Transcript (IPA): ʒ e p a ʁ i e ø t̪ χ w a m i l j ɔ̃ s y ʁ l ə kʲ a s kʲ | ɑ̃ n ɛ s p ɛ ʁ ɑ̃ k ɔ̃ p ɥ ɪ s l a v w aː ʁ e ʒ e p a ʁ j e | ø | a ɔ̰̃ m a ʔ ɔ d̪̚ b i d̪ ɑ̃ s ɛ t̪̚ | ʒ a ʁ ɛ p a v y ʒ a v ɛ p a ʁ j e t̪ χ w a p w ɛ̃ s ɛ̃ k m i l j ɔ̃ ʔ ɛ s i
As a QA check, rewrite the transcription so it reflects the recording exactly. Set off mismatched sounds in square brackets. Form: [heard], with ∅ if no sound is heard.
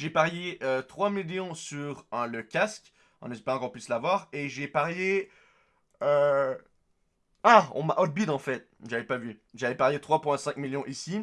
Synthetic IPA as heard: ʒ e p a ʁ [j] e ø t̪ χ w a m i l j ɔ̃ s y ʁ l ə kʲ a s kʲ | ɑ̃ n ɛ s p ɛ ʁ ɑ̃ k ɔ̃ p ɥ [i] s l a v w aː ʁ e ʒ e p a ʁ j e | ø | a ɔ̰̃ m a ʔ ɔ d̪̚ b i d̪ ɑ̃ [f] ɛ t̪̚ | ʒ a [v] ɛ p a v y ʒ a v ɛ p a ʁ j e t̪ χ w a p w ɛ̃ s ɛ̃ k m i l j ɔ̃ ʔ [i] s i